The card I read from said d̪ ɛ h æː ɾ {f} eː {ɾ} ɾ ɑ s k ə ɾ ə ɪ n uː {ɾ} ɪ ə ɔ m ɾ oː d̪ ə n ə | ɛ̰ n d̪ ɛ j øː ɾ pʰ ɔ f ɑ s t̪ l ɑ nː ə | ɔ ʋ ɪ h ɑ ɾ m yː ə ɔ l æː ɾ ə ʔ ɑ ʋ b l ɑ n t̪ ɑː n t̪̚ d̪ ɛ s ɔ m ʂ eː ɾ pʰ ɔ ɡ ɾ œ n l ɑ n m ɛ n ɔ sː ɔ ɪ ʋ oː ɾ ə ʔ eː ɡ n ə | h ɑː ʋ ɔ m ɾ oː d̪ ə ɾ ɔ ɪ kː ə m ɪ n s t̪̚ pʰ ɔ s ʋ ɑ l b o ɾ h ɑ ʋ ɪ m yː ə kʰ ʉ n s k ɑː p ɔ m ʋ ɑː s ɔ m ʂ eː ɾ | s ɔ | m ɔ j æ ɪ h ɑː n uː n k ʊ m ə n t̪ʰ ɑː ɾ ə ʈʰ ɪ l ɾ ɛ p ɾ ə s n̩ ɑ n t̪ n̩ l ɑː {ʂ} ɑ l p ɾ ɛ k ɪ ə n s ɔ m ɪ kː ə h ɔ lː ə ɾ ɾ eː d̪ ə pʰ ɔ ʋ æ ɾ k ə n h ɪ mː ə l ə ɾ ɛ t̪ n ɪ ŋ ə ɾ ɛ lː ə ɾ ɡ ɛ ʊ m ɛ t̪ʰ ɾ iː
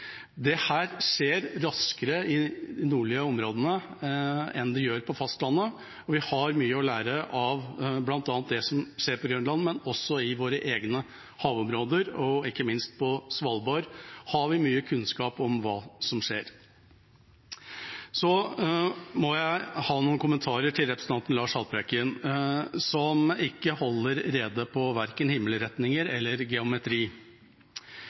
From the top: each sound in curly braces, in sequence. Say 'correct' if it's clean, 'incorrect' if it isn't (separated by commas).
incorrect, correct, incorrect, correct